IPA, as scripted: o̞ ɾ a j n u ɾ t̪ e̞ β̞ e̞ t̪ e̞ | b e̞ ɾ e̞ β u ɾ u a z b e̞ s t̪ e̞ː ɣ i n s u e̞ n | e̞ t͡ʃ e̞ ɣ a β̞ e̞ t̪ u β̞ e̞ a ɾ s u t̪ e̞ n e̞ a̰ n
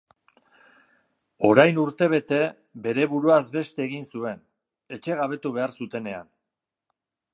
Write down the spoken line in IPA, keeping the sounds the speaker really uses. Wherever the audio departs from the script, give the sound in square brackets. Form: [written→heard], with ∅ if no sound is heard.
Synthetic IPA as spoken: o̞ ɾ a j n u ɾ t̪ e̞ β̞ e̞ t̪ e̞ | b e̞ ɾ e̞ β u ɾ u a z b e̞ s t̪ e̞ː ɣ i n s u e̞ n | e̞ t͡ʃ e̞ ɣ a β̞ e̞ t̪ u β̞ e̞ a ɾ s u t̪ e̞ n e̞ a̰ n